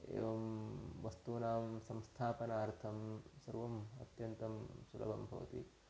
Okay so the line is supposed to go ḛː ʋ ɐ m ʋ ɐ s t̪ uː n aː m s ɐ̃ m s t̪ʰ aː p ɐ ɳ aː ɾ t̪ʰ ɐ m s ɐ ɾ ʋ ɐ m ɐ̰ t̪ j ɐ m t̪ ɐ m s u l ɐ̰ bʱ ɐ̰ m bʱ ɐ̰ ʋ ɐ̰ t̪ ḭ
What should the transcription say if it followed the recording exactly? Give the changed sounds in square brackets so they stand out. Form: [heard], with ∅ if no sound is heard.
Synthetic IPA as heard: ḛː ʋ ɐ m ʋ ɐ s t̪ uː n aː m s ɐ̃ m s t̪ʰ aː p ɐ [n] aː ɾ t̪ʰ ɐ m s ɐ ɾ ʋ ɐ m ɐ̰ t̪ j ɐ [n] t̪ ɐ m s u l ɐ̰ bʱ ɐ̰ m bʱ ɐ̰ ʋ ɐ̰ t̪ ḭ